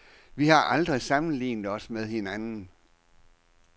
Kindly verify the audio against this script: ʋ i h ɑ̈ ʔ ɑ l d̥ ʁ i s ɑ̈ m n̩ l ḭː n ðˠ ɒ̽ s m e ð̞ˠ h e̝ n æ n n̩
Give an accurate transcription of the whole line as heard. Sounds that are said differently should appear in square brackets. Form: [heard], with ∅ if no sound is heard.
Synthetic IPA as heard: ʋ i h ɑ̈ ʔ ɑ l d̥ ʁ i s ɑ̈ m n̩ l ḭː n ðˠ ɒ̽ s m e ð̞ˠ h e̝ n æ n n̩

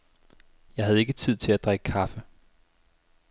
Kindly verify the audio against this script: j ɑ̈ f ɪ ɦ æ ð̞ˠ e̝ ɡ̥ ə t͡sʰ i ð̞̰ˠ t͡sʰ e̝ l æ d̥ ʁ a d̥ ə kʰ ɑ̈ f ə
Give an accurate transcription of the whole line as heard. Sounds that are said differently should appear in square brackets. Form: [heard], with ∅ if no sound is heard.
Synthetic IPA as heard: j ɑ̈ [∅] ɪ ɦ æ ð̞ˠ e̝ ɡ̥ ə t͡sʰ i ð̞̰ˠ t͡sʰ e̝ l æ d̥ ʁ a [ɡ̥] ə kʰ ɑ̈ f ə

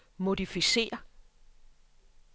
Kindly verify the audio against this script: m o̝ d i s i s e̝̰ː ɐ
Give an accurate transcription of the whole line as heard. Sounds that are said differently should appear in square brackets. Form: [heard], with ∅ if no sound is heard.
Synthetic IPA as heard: m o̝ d i [f] i s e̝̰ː ɐ

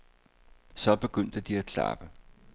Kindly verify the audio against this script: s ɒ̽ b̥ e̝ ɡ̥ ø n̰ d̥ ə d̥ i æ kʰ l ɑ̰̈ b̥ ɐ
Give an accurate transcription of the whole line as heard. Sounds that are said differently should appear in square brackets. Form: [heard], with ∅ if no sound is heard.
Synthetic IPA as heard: s ɒ̽ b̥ e̝ ɡ̥ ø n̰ d̥ ə d̥ i æ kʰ l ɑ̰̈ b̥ [ə]

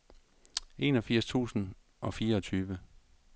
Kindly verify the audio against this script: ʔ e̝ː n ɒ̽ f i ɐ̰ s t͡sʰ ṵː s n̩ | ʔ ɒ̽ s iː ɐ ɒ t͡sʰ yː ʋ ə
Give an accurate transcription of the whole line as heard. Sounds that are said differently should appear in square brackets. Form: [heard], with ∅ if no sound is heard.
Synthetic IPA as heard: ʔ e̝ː n ɒ̽ f i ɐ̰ s t͡sʰ ṵː s n̩ | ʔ ɒ̽ [f] iː ɐ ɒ t͡sʰ yː ʋ ə

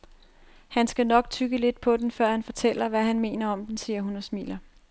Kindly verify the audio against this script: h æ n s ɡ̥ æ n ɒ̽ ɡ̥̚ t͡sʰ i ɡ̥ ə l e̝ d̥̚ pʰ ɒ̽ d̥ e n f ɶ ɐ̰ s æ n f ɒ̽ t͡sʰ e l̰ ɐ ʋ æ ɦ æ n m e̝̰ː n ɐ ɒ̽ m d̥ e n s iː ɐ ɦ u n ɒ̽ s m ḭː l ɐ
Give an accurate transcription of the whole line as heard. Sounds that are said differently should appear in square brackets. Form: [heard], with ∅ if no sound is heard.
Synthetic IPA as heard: h æ n s ɡ̥ æ n ɒ̽ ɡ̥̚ t͡sʰ [y] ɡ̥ ə l e̝ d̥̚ pʰ ɒ̽ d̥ e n f ɶ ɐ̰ [h] æ n f ɒ̽ t͡sʰ e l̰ ɐ ʋ æ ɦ æ n m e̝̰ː n ɐ ɒ̽ m d̥ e n s iː ɐ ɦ u n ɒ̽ s m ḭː l ɐ

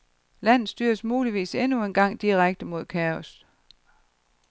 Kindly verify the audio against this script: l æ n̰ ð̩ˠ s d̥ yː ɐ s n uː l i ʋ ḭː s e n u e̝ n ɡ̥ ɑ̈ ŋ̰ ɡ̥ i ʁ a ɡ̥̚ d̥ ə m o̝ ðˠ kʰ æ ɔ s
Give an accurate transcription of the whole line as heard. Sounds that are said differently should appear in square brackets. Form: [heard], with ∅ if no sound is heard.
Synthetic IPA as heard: l æ n̰ ð̩ˠ s d̥ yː ɐ s [m] uː l i ʋ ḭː s e n u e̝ n ɡ̥ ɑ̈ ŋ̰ [d̥] i ʁ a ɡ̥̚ d̥ ə m o̝ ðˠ kʰ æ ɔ s

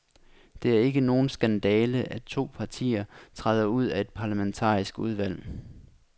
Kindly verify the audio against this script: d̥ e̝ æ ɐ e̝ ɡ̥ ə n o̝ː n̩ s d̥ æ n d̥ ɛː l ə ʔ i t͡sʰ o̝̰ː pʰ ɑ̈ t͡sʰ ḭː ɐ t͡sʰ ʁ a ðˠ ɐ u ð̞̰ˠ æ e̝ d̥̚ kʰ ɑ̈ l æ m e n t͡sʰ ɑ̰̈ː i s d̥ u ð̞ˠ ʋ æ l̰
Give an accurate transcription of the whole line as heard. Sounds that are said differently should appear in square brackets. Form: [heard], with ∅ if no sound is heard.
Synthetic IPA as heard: d̥ e̝ æ ɐ e̝ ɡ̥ ə n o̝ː n̩ s [ɡ̥] æ n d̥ ɛː l ə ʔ [æ] t͡sʰ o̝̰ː pʰ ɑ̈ t͡sʰ ḭː ɐ t͡sʰ ʁ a ðˠ ɐ u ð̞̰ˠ æ e̝ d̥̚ [pʰ] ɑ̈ l æ m e n t͡sʰ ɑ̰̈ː i s [ɡ̥] u ð̞ˠ ʋ æ l̰

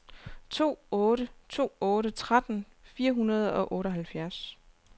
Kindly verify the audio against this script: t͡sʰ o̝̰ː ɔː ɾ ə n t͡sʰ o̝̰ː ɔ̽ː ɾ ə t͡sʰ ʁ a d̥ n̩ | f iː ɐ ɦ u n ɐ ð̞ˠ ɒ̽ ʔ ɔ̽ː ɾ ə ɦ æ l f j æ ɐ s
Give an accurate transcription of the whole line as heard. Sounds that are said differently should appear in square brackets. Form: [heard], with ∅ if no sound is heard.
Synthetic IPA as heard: t͡sʰ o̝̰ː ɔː ɾ ə [∅] t͡sʰ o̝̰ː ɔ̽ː ɾ ə t͡sʰ ʁ a d̥ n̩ | f iː ɐ ɦ u n ɐ ð̞ˠ ɒ̽ ʔ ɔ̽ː ɾ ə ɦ æ l f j æ ɐ s

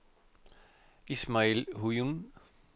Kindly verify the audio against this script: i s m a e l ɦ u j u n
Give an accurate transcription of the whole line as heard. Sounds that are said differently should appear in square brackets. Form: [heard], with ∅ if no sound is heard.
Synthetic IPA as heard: i s m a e l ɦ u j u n

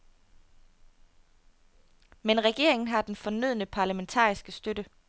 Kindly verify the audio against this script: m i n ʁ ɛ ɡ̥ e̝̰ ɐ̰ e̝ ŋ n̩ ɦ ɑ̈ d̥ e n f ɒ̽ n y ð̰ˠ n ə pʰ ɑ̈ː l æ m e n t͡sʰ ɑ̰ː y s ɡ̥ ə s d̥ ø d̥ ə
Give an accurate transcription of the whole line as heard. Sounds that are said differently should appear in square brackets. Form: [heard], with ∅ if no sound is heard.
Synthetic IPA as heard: m [e] n ʁ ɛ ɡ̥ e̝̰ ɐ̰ e̝ ŋ n̩ ɦ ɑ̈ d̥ e n f ɒ̽ n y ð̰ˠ n ə pʰ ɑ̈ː l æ m e n t͡sʰ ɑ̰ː [i] s ɡ̥ ə s d̥ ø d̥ ə

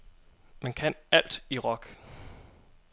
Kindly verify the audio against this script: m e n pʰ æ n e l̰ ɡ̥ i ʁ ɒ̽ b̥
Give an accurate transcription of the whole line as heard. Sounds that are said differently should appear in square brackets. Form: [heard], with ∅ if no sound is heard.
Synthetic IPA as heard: m [æ] n [kʰ] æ n [æ] l̰ [d̥] i ʁ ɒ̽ [ɡ̥]

